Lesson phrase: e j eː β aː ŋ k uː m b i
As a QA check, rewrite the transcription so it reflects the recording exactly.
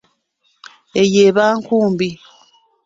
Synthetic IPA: e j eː β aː ŋ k uː m b i